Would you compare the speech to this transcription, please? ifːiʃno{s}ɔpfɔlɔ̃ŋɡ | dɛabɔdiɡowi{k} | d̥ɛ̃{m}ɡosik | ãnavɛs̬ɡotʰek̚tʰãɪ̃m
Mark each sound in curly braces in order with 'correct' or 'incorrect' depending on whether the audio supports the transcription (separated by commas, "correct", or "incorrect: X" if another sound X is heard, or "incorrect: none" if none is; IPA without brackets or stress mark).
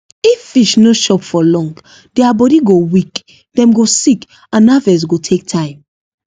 incorrect: ʃ, correct, correct